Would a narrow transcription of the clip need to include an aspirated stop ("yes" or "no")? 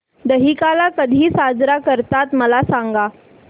no